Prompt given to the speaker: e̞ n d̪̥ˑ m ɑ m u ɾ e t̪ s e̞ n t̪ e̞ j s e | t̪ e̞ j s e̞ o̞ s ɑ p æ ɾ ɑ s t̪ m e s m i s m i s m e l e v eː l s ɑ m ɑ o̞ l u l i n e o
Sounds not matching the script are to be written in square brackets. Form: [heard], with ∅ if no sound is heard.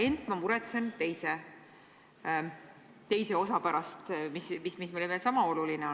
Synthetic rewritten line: e̞ n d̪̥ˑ m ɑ m u ɾ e t̪ s e̞ n t̪ e̞ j s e | t̪ e̞ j s e̞ o̞ s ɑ p æ ɾ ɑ s t̪ m [i] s m i s m i s m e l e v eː l s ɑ m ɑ o̞ l u l i n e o